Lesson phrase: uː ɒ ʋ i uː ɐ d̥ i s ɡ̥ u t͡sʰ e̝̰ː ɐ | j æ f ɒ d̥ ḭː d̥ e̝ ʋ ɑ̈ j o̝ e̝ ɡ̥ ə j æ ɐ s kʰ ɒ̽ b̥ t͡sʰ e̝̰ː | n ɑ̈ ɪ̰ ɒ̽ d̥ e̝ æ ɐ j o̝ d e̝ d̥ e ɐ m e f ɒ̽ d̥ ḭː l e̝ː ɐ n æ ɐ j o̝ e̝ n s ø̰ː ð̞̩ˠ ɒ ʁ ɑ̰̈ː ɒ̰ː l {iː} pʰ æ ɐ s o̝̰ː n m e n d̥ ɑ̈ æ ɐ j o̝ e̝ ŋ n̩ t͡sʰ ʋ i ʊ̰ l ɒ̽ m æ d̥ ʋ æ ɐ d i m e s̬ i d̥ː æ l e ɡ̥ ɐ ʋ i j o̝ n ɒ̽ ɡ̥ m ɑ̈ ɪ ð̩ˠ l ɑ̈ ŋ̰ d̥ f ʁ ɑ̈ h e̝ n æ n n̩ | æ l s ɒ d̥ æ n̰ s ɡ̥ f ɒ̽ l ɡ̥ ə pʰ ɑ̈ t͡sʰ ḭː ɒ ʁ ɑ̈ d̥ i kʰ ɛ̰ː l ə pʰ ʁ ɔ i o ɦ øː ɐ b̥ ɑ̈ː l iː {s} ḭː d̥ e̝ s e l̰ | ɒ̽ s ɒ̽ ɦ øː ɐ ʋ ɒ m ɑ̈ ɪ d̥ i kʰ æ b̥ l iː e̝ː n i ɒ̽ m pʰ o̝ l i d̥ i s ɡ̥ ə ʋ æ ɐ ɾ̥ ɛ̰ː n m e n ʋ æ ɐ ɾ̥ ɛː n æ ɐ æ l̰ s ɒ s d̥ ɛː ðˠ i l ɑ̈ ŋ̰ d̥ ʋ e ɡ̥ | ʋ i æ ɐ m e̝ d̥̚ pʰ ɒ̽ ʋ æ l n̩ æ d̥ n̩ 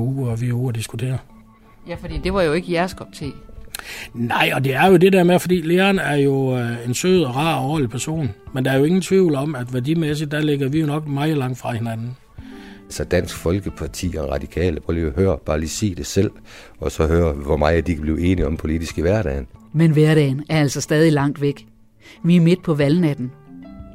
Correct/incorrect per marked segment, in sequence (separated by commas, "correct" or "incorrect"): incorrect, correct